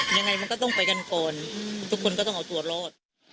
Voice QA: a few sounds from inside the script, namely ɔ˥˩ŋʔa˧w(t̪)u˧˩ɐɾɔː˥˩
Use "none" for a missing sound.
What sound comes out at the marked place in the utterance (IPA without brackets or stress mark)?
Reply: t̪